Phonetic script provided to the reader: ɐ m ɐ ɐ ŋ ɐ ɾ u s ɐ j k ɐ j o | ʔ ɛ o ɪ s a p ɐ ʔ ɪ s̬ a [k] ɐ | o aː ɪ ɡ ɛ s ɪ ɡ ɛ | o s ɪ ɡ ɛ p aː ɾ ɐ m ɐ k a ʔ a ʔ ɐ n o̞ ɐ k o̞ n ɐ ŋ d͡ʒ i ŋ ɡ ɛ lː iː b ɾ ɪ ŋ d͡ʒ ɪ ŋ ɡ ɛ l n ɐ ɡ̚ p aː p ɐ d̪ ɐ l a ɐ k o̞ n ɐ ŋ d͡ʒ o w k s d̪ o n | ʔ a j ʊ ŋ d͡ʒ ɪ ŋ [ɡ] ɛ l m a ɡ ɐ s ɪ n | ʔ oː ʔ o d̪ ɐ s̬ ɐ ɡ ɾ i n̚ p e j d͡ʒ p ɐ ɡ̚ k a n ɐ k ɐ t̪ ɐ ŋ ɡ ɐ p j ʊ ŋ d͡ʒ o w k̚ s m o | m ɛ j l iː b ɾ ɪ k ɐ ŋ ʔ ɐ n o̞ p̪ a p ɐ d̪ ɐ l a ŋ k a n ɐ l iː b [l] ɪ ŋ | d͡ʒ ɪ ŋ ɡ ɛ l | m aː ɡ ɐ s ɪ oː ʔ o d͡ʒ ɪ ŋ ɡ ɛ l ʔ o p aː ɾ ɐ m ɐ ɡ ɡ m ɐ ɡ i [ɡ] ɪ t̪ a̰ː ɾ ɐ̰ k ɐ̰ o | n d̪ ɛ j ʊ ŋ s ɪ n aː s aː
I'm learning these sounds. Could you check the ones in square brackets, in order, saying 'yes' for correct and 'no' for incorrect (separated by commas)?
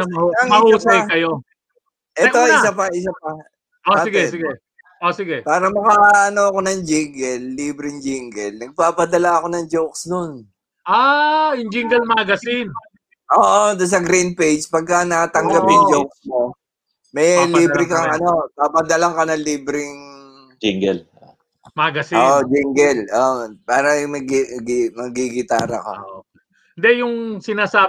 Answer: no, yes, no, yes